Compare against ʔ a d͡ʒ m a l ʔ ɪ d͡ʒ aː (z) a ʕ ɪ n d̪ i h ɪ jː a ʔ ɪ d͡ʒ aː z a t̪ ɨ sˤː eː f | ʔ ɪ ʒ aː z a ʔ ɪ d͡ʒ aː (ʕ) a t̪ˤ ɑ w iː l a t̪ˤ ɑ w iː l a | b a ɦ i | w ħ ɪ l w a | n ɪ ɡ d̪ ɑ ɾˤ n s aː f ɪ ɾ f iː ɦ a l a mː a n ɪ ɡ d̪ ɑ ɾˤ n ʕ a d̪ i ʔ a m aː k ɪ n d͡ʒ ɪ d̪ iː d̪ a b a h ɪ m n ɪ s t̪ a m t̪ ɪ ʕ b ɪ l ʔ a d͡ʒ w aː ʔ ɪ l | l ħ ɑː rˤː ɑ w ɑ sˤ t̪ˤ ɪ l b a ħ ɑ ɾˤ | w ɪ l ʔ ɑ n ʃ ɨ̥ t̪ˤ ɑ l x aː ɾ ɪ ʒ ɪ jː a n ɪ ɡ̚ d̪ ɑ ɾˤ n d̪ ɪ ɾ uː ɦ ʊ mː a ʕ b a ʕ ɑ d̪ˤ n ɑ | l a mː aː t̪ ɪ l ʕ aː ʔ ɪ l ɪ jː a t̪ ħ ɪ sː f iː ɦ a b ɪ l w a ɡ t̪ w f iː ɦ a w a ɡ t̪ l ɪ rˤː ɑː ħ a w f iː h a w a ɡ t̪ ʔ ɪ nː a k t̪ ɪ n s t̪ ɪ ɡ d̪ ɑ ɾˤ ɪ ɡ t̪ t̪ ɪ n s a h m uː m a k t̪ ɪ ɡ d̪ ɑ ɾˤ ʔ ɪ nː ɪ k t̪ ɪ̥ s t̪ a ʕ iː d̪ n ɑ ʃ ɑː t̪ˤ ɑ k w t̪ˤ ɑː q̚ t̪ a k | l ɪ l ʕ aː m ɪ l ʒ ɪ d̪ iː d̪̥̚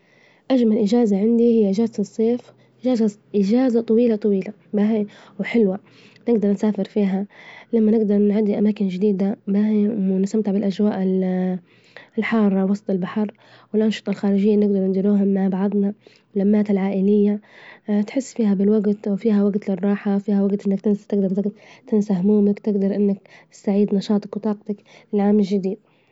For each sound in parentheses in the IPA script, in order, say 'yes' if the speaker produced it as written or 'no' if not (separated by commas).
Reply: yes, no